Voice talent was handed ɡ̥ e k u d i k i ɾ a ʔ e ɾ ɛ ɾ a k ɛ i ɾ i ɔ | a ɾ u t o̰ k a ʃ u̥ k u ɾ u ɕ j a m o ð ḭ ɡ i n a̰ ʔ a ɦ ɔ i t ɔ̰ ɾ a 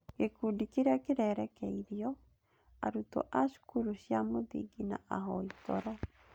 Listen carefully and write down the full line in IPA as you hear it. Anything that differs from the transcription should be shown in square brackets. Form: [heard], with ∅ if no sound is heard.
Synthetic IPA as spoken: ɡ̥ e k u d i k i ɾ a [k] e ɾ ɛ ɾ [ɛ] k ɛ i ɾ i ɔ | a ɾ u t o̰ [ʔ] a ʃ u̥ k u ɾ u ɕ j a m o ð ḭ ɡ i n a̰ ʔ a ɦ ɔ i t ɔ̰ ɾ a